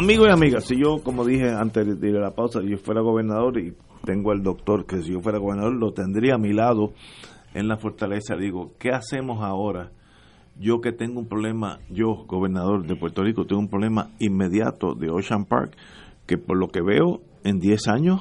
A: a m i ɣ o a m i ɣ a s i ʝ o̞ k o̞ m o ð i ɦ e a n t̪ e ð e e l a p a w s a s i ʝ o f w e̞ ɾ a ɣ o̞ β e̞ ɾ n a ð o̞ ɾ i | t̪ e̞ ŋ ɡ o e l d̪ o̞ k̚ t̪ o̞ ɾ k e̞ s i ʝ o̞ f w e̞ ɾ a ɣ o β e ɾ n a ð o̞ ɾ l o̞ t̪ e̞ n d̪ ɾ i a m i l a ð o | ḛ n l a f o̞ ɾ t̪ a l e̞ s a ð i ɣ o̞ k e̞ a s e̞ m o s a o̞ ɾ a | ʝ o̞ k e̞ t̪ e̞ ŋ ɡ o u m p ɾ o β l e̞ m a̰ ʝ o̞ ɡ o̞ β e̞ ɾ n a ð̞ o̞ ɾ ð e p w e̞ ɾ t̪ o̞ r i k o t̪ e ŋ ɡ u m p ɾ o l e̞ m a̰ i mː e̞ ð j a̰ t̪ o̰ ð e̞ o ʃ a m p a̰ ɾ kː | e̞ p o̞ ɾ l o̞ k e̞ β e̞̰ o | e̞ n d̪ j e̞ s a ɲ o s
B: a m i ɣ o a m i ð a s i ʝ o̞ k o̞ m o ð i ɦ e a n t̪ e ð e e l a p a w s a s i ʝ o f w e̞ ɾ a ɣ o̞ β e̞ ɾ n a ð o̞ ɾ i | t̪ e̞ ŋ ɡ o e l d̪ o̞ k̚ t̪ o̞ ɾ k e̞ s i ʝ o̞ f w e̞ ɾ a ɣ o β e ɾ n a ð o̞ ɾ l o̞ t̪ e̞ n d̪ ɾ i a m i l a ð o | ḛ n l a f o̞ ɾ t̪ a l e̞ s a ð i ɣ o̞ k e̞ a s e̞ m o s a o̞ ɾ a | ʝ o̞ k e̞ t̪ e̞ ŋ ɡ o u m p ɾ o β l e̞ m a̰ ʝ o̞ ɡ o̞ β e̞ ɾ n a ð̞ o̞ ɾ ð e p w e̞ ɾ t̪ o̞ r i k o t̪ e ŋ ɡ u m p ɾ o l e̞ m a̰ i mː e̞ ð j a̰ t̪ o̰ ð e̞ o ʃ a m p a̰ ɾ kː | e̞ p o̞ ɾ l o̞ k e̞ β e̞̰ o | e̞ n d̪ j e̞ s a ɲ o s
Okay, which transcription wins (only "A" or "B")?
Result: A